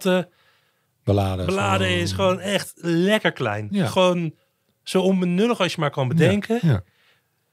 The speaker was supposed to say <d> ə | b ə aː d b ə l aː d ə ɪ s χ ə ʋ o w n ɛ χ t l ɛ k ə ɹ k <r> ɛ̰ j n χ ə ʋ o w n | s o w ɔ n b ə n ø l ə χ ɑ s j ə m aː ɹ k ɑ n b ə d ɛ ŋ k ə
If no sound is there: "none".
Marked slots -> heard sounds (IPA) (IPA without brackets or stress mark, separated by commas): t, l